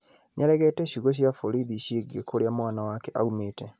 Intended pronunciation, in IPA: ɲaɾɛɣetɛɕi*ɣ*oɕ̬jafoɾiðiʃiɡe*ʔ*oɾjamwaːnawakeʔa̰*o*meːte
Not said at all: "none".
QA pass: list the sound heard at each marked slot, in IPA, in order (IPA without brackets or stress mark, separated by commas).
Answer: ɣ, k, u